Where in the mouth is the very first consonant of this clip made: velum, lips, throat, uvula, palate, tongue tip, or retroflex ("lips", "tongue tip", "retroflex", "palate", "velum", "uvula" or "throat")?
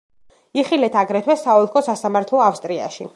uvula